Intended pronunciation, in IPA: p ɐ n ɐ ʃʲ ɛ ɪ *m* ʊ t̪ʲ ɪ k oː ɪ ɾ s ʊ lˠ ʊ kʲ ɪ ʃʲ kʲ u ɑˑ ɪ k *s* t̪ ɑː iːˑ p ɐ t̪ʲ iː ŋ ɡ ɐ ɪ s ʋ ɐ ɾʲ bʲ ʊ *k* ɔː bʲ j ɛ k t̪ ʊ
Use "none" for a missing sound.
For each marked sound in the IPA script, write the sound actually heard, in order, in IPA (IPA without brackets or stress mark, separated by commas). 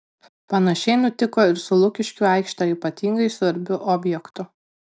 n, ʃ, ʔ